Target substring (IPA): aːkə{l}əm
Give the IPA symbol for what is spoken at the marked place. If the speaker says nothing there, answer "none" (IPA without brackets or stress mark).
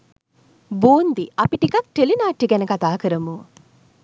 ɾ